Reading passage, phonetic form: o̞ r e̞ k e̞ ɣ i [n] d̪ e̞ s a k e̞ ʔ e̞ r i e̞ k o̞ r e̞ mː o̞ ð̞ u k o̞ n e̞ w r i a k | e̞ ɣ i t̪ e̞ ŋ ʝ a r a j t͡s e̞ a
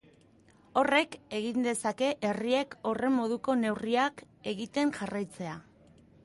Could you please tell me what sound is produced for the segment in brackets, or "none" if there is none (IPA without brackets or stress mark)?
n